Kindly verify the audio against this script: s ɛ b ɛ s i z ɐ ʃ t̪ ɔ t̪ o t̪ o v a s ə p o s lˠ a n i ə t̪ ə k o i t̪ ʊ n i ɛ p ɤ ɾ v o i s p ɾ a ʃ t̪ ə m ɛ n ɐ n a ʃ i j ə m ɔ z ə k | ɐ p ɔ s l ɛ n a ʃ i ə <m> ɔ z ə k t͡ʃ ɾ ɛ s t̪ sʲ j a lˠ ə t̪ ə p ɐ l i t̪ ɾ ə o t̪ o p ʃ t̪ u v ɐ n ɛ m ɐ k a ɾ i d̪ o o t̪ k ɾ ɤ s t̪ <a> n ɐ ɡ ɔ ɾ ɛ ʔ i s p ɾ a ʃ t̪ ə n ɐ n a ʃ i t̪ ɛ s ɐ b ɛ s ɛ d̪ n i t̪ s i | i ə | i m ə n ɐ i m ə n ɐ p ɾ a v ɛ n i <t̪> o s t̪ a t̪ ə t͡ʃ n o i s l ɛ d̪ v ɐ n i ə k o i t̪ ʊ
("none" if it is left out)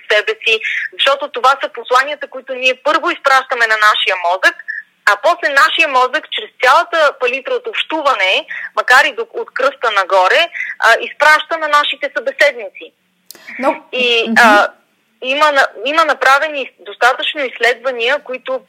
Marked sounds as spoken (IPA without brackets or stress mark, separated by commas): m, ə, d̪